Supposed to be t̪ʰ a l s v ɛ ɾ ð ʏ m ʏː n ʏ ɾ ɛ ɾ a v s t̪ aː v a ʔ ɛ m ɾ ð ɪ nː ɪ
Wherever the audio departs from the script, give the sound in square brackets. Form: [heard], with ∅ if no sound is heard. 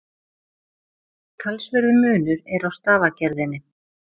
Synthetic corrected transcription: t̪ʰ a l s v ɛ ɾ ð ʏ m ʏː n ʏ ɾ ɛ ɾ a [w] s t̪ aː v a [c] ɛ [∅] ɾ ð ɪ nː ɪ